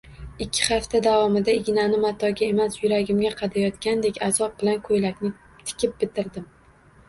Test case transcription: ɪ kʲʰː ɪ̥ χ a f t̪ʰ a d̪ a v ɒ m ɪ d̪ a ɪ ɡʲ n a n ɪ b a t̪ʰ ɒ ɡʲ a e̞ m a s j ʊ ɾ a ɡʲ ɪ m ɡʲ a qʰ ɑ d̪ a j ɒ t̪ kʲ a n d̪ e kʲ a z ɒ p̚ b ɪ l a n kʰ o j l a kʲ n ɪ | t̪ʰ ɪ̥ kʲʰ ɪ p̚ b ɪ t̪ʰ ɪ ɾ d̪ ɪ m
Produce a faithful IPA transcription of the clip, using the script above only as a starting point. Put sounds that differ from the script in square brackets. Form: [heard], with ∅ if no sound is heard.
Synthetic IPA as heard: ɪ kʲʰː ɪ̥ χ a f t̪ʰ a d̪ a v ɒ m ɪ d̪ a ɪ ɡʲ n a n ɪ [m] a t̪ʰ ɒ ɡʲ a e̞ m a s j ʊ ɾ a ɡʲ ɪ m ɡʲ a qʰ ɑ d̪ a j ɒ t̪ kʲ a n d̪ e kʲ a z ɒ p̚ b ɪ l a n kʰ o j l a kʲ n ɪ | t̪ʰ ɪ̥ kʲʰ ɪ p̚ b ɪ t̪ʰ ɪ ɾ d̪ ɪ m